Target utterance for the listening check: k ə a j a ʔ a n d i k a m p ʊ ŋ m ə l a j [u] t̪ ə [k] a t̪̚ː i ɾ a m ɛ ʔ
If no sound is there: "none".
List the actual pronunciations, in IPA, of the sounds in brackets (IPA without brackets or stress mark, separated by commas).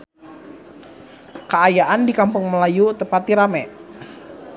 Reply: u, p